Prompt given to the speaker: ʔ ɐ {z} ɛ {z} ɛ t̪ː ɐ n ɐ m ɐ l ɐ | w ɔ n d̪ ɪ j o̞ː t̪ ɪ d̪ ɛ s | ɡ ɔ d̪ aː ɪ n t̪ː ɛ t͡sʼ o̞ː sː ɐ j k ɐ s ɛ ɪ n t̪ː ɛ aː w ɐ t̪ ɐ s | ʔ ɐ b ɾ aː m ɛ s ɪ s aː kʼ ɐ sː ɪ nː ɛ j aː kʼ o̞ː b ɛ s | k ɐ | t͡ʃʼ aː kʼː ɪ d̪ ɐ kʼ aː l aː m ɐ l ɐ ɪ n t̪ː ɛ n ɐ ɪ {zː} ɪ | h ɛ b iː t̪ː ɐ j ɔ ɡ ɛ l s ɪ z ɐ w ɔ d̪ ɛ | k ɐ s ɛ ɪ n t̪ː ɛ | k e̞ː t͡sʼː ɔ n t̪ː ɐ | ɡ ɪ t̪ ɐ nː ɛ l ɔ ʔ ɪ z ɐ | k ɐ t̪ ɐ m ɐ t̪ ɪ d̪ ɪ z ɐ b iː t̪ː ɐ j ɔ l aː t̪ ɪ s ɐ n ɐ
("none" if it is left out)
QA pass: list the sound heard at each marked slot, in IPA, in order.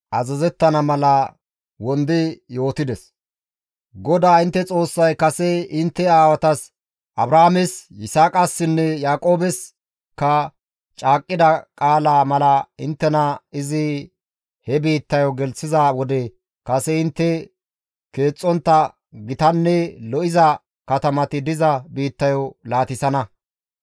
z, z, z

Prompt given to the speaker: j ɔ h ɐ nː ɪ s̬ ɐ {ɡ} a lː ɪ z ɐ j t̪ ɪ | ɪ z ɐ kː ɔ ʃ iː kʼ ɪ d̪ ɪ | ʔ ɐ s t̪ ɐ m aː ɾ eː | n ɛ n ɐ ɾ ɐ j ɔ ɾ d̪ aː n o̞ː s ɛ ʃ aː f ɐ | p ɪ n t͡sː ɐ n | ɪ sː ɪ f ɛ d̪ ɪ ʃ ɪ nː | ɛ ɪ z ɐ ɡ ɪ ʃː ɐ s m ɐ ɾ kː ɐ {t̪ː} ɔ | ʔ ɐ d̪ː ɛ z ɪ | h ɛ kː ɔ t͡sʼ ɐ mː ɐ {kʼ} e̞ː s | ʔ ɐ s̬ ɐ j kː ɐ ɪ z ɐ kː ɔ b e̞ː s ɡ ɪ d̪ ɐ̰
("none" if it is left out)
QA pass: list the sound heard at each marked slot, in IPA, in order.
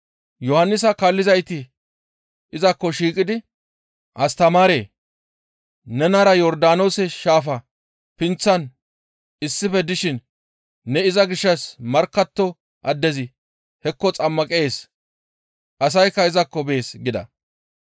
k, t̪ː, kʼ

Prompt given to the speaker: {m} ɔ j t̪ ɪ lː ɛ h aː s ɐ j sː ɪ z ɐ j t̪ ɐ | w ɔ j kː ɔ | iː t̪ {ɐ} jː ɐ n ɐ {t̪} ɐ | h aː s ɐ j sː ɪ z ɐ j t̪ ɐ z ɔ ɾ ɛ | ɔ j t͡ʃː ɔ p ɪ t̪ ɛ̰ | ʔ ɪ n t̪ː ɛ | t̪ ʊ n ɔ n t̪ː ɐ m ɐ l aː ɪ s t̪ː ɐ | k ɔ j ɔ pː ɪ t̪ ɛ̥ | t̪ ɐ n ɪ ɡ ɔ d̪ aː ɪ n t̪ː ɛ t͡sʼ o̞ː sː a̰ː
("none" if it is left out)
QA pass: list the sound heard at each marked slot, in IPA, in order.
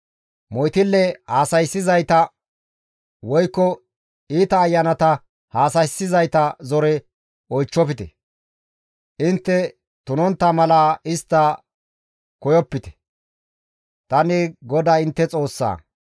m, ɐː, t̪

